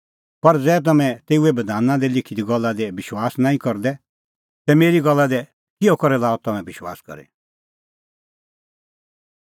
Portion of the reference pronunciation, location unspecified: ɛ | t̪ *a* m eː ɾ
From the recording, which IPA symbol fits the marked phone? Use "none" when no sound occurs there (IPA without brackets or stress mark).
ɛ